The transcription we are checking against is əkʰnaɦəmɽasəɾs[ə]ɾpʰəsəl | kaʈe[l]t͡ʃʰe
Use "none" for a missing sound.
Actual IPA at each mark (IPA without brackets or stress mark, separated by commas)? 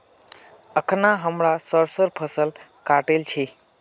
ə, l